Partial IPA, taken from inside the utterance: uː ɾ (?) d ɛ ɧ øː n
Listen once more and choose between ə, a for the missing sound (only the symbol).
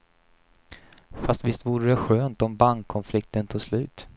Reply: ə